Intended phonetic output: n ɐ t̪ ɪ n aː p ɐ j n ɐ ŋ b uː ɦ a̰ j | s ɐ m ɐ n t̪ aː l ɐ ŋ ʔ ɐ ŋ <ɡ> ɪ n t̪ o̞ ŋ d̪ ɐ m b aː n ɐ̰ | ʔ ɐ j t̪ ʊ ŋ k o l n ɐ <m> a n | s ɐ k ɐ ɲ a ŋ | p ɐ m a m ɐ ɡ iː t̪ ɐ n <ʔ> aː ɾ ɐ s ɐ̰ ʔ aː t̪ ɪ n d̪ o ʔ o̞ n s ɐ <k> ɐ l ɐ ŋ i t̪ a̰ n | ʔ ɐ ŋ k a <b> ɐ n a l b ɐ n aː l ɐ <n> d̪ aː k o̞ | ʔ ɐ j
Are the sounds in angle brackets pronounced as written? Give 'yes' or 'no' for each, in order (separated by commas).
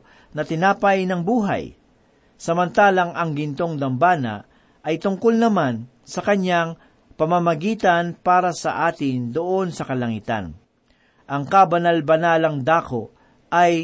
yes, yes, no, yes, yes, no